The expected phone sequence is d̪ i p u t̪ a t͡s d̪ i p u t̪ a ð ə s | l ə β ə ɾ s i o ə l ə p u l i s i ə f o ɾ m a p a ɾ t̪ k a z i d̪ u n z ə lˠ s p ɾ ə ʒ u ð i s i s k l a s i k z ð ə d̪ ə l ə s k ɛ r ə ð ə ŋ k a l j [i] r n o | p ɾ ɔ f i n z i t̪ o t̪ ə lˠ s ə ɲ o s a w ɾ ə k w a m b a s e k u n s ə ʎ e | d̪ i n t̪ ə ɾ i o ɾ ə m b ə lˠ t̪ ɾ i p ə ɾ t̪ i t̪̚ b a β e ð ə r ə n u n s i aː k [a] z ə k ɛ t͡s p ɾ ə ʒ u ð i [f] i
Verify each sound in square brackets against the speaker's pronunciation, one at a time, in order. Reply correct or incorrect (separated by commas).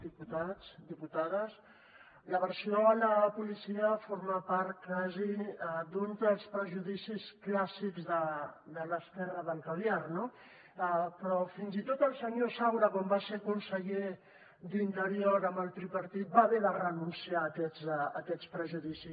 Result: incorrect, incorrect, incorrect